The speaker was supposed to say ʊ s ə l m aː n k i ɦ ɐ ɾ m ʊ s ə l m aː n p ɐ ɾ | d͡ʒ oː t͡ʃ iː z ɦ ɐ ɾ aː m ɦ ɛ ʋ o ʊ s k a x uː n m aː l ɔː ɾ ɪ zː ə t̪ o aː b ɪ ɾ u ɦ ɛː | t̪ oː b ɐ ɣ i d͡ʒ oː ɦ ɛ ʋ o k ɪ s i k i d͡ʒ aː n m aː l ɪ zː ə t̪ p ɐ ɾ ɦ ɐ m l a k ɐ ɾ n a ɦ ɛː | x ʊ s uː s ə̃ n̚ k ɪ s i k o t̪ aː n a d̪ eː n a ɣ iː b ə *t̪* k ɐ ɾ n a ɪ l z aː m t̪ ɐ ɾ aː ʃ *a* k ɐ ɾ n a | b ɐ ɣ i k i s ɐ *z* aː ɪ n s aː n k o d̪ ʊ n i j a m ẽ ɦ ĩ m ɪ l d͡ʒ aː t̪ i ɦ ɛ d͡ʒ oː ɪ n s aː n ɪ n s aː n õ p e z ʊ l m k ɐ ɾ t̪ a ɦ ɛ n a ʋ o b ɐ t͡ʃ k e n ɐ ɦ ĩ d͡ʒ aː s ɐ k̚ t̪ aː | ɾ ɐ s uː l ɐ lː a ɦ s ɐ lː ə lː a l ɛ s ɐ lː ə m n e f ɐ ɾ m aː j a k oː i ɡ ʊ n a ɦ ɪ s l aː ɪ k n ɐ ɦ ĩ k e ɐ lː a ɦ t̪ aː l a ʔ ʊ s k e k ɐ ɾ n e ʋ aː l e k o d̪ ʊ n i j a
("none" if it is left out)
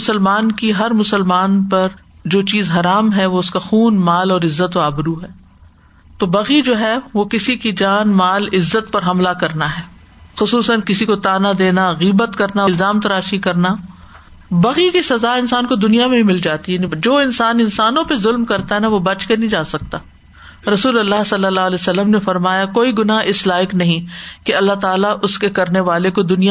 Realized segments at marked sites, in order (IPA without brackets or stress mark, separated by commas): t̪, i, z